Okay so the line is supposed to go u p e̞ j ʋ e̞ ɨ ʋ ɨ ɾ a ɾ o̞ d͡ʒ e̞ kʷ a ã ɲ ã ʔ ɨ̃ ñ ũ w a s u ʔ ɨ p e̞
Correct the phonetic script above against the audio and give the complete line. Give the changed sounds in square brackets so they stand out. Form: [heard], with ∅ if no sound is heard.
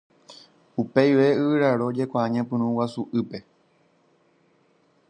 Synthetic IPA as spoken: u p e̞ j ʋ e̞ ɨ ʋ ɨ ɾ a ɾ o̞ d͡ʒ e̞ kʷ a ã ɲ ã [p] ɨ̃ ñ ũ w a s u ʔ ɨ p e̞